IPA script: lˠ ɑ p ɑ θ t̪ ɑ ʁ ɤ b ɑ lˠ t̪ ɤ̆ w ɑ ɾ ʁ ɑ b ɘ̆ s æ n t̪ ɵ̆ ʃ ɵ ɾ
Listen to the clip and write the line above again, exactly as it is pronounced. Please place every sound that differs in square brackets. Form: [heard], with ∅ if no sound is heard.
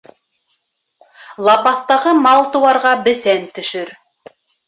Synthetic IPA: lˠ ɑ p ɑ θ t̪ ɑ ʁ ɤ [m] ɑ lˠ t̪ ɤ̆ w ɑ ɾ ʁ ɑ b ɘ̆ s æ n t̪ ɵ̆ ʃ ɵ ɾ